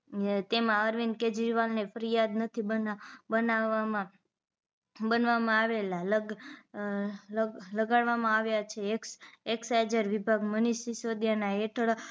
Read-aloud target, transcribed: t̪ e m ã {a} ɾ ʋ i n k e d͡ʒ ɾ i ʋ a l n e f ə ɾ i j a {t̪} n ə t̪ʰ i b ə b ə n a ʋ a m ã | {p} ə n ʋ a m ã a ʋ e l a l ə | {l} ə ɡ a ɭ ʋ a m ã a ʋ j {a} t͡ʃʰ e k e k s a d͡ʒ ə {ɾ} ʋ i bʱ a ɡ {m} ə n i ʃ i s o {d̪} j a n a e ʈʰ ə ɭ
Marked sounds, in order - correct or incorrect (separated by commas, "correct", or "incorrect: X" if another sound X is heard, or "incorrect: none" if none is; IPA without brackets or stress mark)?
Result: incorrect: ə, incorrect: d̪, incorrect: b, correct, correct, correct, correct, correct